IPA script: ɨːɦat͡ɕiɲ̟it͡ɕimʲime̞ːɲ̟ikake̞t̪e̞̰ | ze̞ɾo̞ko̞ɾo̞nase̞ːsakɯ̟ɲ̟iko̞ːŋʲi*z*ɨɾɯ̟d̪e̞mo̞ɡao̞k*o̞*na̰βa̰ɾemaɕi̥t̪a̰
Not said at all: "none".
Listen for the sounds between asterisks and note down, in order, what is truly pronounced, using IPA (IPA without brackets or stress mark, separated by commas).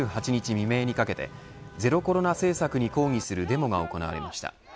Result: s, o̞